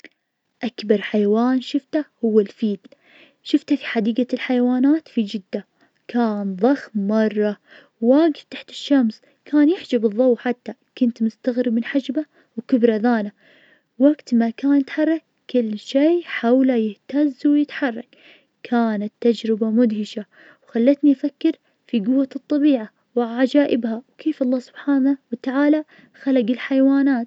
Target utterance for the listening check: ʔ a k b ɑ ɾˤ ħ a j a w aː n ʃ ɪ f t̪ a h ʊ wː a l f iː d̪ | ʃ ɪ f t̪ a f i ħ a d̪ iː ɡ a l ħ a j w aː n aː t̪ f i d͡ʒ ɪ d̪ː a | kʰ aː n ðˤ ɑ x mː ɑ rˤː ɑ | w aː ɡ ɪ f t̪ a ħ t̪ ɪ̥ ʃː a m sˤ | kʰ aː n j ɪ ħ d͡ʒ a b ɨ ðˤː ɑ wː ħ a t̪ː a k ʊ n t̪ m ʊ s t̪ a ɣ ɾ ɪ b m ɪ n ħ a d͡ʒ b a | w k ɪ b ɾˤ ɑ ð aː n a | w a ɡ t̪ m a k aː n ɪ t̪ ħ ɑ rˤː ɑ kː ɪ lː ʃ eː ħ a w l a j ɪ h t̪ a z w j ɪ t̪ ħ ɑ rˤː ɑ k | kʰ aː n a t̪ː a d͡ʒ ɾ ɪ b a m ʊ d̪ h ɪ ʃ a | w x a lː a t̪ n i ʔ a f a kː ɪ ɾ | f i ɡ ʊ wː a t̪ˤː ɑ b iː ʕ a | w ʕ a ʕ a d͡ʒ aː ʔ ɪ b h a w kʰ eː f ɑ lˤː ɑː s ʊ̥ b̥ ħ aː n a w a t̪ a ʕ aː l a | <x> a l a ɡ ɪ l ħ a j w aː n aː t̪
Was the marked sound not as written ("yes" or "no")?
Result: no